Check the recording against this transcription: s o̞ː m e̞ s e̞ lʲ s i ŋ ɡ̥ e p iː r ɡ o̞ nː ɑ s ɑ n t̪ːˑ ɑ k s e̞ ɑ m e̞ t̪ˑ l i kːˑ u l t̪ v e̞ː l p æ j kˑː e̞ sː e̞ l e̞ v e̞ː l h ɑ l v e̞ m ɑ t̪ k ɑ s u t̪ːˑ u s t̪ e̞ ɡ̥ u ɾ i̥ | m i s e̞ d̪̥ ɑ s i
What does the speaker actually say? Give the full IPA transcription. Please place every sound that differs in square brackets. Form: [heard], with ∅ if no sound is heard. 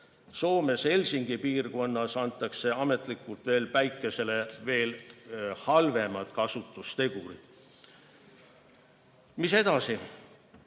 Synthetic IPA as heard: s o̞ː m e̞ s e̞ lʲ s i ŋ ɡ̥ [i] p iː r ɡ o̞ nː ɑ s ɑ n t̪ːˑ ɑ k s e̞ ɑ m e̞ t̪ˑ l i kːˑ u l t̪ v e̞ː l p æ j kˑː e̞ [s] e̞ l e̞ v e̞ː l h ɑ l v e̞ m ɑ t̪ k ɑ s u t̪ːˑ u s t̪ e̞ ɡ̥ u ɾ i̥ | m i s e̞ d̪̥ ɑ s i